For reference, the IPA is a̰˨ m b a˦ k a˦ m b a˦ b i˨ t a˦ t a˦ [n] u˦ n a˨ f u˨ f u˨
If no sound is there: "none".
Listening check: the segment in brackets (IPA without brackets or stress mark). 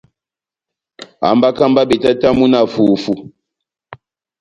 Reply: m